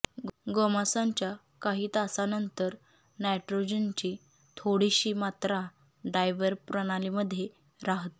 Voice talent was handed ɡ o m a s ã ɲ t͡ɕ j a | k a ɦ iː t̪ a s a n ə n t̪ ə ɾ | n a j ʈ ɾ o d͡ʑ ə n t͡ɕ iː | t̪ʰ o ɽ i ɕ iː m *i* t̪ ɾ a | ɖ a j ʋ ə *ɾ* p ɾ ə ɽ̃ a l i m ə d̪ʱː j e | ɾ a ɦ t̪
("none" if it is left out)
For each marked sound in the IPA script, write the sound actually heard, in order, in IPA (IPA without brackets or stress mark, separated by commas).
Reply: a, ɾ